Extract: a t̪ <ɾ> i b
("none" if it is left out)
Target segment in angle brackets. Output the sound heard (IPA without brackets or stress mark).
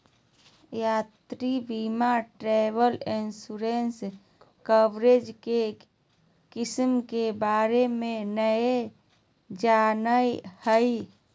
ɾ